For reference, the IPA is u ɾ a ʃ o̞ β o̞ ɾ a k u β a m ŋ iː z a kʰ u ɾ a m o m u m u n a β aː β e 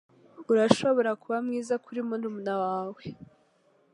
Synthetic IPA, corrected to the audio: u ɾ a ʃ o̞ β o̞ ɾ a k u β a m ŋ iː z a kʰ u ɾ i m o n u m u n a w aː w e